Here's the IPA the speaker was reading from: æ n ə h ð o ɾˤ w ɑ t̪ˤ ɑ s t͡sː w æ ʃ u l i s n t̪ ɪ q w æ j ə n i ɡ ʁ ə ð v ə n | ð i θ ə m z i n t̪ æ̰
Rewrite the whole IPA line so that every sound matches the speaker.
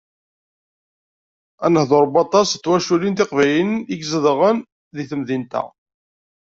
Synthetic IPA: æ n ə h ð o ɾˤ b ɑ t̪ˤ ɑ s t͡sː w æ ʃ u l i n t̪ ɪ q v æ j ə n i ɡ z ə ð ʁ ə n | ð i θ ə m ð i n t̪ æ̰

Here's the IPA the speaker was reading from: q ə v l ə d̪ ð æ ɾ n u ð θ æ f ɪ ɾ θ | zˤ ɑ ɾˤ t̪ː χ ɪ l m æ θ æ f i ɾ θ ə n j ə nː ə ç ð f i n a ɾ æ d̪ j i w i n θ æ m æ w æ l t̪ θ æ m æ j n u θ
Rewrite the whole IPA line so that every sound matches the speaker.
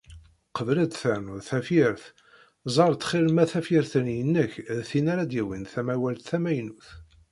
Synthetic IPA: q ə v l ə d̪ θ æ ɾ n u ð θ æ f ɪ ɾ θ | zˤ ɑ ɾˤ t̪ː χ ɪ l m æ θ æ f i ɾ θ ə n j ə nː ə ç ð θ i n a ɾ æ d̪ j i w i n θ æ m æ w æ l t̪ θ æ m æ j n u θ

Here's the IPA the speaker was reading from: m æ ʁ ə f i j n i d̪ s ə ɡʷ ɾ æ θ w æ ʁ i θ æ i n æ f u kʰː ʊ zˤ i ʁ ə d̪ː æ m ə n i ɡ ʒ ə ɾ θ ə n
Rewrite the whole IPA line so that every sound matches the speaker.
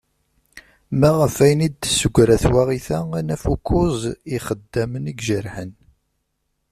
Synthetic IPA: m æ ʁ ə f æ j n i d̪ s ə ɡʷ ɾ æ θ w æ ʁ i θ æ æ n æ f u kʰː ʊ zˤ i χ ə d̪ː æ m ə n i ɡ ʒ ə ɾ ħ ə n

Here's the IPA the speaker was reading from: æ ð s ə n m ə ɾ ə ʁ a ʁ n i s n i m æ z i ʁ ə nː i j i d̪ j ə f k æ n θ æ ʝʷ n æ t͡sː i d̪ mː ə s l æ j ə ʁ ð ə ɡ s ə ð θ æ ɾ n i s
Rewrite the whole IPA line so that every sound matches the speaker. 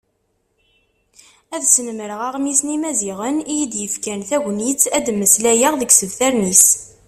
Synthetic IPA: æ ð s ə n m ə ɾ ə ʁ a ʁ m i s n i m æ z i ʁ ə n i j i d̪ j ə f k æ n θ æ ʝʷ n i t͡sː æ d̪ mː ə s l æ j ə ʁ ð ə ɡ s ə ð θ æ ɾ n i s

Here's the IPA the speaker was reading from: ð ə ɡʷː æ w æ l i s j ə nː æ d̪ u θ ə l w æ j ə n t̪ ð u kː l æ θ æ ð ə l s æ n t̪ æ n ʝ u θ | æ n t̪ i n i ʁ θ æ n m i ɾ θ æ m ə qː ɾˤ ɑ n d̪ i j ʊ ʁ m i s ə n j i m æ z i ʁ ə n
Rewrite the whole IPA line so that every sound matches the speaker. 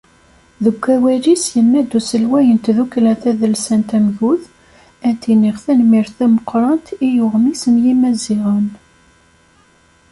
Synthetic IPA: ð ə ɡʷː æ w æ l i s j ə nː æ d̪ u s ə l w æ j ə n t̪ ð u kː l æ θ æ ð ə l s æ n t̪ æ m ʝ u θ | æ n t̪ i n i ʁ θ æ n m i ɾ θ æ m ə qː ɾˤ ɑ n t̪ i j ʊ ʁ m i s ə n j i m æ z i ʁ ə n

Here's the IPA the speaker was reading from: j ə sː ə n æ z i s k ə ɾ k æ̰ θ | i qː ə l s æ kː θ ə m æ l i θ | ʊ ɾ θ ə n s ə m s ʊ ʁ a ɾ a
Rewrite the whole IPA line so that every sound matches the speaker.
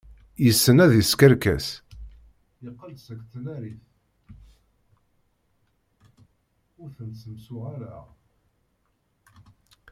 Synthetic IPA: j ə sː ə n æ ð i s k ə ɾ k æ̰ s | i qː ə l s æ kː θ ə n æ ɾ i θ | ʊ ɾ θ ə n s ə m s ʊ ʁ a ɾ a

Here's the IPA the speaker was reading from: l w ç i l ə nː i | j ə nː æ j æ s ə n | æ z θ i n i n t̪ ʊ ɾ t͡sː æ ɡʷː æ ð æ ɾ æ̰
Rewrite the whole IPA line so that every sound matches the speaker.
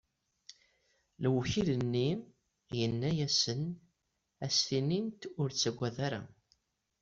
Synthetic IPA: l w ç i l ə nː i | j ə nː æ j æ s ə n | æ s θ i n i n t̪ ʊ ɾ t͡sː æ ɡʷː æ ð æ ɾ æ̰

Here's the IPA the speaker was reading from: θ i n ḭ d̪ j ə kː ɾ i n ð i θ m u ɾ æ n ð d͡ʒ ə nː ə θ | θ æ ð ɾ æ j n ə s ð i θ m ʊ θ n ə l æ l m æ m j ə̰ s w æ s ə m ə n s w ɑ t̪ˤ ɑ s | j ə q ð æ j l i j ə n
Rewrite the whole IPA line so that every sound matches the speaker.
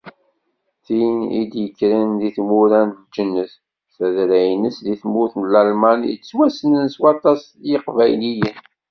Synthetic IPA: θ i n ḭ d̪ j ə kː ɾ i n ð i θ m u ɾ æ n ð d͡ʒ ə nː ə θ | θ æ ð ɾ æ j n ə s ð i θ m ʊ θ n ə l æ l m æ n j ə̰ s w æ s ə n ə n s w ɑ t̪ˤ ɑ s | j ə q v æ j l i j ə n

